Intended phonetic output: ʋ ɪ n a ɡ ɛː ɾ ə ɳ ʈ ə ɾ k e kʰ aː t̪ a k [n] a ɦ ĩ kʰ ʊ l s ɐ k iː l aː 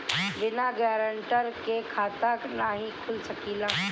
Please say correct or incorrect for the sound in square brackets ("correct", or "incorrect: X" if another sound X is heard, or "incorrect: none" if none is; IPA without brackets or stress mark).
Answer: correct